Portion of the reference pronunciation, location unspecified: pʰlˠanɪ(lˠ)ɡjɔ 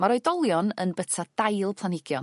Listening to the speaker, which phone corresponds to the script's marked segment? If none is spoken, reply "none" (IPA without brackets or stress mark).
none